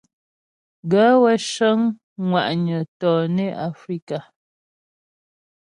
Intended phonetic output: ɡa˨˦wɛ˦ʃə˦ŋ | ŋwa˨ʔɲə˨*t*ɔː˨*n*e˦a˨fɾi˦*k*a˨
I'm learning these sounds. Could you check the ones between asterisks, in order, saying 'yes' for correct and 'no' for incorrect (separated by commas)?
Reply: yes, yes, yes